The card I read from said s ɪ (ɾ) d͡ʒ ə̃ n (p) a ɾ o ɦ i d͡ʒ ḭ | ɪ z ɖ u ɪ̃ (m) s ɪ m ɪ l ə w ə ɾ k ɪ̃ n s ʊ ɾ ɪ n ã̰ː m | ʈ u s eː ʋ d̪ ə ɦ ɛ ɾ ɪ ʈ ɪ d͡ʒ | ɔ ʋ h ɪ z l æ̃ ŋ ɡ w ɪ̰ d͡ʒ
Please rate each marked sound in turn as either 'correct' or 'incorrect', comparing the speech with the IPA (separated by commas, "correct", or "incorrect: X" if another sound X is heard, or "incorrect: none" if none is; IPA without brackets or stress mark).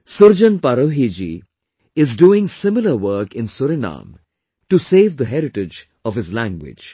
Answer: correct, correct, incorrect: ŋ